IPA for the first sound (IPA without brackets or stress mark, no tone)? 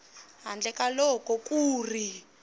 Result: ɦ